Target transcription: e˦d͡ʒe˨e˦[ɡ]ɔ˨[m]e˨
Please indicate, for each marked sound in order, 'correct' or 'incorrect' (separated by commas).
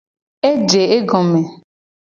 correct, correct